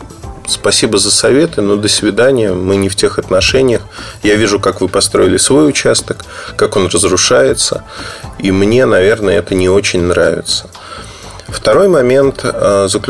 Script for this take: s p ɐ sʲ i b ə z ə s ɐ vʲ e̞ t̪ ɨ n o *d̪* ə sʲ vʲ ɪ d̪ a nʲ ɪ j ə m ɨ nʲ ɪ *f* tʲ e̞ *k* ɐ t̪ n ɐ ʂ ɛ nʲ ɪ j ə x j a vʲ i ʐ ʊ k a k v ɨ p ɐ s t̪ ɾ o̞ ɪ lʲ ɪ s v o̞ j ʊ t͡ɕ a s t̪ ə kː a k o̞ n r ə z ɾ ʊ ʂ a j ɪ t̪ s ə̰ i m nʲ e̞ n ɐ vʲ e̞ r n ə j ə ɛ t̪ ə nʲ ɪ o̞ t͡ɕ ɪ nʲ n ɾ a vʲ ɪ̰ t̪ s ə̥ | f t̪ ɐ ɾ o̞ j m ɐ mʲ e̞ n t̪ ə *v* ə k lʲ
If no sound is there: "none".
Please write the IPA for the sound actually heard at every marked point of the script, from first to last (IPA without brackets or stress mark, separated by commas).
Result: d̪, f, x, z